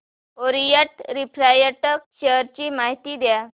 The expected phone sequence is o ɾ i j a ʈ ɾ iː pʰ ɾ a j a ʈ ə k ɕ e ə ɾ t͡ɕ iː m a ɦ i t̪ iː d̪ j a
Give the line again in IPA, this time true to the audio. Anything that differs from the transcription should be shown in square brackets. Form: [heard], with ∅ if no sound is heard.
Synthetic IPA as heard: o ɾ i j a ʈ ɾ [i] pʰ ɾ a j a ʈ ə k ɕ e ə ɾ t͡ɕ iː m a ɦ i t̪ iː d̪ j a